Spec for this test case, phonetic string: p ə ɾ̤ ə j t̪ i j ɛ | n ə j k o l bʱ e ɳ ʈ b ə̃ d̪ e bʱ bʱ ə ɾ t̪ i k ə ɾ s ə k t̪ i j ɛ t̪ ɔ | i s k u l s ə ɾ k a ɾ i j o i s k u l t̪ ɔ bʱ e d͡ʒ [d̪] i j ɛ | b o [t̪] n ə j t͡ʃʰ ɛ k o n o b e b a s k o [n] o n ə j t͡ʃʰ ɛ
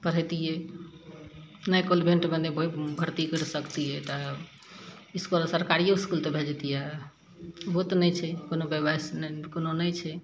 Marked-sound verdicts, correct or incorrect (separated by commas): incorrect, correct, correct